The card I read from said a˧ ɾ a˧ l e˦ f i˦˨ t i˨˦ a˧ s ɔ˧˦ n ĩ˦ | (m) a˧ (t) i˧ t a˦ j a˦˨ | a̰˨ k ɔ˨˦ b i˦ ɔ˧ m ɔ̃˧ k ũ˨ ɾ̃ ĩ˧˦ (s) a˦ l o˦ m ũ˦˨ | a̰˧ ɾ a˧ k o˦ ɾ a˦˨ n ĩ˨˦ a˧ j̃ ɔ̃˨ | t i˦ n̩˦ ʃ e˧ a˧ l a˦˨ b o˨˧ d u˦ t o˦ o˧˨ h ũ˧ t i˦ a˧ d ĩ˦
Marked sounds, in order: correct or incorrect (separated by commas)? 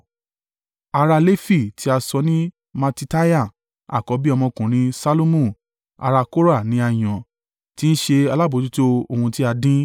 correct, correct, correct